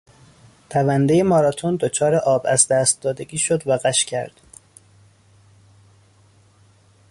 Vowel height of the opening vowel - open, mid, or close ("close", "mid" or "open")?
open